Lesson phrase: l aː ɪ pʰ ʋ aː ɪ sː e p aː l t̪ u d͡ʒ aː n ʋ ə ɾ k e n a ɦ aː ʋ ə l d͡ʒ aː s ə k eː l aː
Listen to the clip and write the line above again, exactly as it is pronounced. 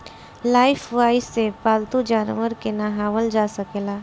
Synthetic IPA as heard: l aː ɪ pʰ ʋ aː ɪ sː e p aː l t̪ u d͡ʒ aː n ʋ ə ɾ k e n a ɦ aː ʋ ə l d͡ʒ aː s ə k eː l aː